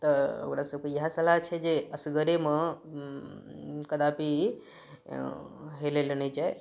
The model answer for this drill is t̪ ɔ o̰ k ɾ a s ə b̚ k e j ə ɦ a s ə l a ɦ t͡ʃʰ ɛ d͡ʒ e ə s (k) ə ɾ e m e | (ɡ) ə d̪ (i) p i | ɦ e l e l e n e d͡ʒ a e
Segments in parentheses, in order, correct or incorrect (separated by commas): incorrect, incorrect, incorrect